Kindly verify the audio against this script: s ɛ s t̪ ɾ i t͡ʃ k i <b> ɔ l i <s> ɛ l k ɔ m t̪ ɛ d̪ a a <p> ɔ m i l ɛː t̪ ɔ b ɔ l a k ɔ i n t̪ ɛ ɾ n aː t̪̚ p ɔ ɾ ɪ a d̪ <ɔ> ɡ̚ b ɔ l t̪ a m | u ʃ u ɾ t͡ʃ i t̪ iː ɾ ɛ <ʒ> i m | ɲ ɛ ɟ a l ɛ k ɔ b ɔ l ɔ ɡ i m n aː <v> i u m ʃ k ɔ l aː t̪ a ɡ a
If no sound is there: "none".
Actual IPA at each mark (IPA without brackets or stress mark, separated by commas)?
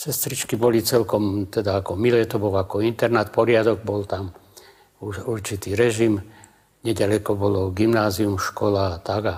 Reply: b, t͡s, k, ɔ, ʒ, z